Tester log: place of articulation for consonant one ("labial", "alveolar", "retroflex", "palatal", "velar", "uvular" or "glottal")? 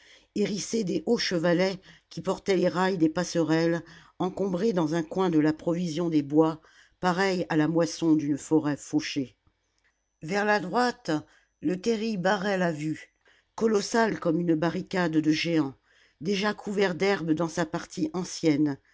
uvular